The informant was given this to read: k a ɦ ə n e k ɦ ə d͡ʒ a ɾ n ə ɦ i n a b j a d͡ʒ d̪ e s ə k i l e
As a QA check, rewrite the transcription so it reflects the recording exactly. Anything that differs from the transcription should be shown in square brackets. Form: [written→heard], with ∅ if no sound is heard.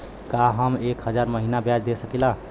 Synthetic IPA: k a ɦ ə [n→m] e k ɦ ə d͡ʒ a ɾ [n→m] ə ɦ i n a b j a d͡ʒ d̪ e s ə k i l [e→a]